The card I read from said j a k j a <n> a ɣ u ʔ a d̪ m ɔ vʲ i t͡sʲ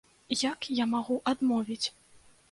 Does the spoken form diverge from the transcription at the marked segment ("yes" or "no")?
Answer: yes